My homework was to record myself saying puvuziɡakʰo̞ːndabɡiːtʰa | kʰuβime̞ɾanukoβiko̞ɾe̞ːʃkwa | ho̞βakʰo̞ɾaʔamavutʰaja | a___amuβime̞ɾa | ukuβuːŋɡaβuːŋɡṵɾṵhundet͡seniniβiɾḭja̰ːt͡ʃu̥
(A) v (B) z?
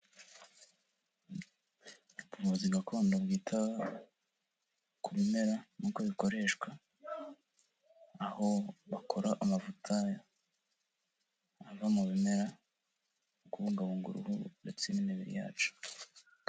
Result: A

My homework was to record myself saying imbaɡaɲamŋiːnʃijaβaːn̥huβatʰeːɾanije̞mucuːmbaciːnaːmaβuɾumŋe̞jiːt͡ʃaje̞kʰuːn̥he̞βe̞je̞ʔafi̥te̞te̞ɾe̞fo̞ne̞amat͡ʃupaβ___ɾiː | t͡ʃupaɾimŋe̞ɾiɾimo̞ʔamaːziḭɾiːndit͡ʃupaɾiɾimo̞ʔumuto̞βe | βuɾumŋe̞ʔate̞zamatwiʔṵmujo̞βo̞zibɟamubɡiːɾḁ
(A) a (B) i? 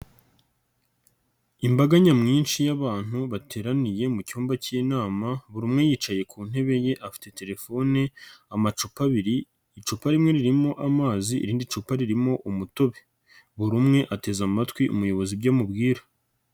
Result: B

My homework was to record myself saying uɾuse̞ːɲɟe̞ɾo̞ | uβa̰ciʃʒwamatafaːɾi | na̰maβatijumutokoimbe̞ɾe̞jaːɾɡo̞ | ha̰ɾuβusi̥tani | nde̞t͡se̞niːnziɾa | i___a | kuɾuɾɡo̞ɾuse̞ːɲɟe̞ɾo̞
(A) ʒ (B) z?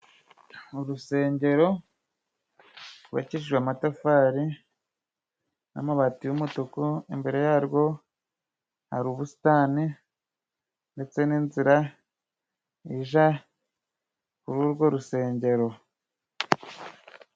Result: A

